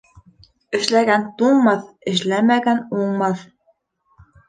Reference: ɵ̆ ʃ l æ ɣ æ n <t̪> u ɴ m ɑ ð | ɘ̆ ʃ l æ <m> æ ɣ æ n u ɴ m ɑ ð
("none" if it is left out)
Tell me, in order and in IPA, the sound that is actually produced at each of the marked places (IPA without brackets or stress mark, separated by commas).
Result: t̪, m